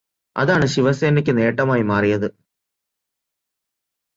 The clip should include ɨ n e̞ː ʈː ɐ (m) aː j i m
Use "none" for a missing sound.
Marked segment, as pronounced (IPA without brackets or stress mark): m